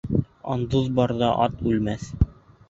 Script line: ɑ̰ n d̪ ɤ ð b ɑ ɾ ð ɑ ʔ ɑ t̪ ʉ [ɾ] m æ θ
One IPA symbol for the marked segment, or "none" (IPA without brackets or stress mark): l